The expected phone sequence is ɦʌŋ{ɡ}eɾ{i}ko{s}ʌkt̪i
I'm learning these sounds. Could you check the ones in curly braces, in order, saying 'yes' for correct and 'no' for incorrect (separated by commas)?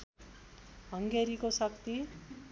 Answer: yes, yes, yes